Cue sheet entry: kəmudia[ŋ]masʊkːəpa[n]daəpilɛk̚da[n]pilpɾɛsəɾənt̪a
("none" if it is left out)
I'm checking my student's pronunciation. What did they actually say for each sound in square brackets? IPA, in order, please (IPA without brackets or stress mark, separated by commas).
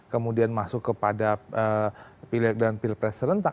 n, none, n